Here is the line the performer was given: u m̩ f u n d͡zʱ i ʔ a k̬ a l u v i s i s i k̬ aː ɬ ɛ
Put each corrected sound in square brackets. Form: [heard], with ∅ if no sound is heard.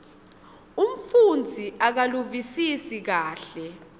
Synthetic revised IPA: u m̩ f u n d͡zʱ i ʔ a k̬ a l u v i s i s i k̬ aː ɬ ɛ